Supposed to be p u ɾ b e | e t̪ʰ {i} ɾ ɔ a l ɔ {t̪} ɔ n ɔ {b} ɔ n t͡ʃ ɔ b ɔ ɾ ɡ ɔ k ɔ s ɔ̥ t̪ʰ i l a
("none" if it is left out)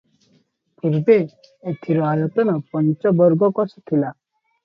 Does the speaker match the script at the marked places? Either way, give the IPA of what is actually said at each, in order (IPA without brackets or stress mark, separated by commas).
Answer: i, t̪, p